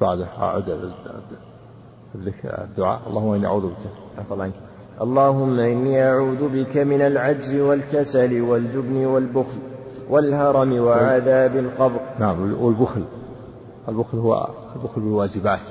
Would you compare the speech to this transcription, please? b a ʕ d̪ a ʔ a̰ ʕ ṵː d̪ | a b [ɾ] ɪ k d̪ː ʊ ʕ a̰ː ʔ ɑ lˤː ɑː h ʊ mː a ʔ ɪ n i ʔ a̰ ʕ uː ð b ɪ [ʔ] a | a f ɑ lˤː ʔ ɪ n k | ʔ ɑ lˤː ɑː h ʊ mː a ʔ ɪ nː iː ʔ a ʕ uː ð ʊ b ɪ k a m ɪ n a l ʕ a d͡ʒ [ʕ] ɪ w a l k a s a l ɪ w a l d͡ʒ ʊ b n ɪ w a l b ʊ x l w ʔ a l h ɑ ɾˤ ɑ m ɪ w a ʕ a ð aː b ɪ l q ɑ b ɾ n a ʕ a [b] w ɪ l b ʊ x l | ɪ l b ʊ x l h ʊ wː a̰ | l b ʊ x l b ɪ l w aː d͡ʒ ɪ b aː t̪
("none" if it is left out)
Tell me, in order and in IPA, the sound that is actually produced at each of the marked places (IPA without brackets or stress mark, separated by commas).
l, k, z, m